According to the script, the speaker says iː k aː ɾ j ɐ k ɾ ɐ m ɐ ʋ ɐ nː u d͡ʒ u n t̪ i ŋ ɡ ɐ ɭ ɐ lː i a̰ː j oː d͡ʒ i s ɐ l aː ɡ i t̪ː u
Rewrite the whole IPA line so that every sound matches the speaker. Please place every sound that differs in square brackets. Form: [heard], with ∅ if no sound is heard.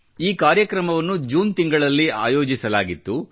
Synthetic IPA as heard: iː k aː ɾ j ɐ k ɾ ɐ m ɐ ʋ ɐ nː u d͡ʒ [uː] n t̪ i ŋ ɡ ɐ ɭ ɐ lː i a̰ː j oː d͡ʒ i s ɐ l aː ɡ i t̪ː u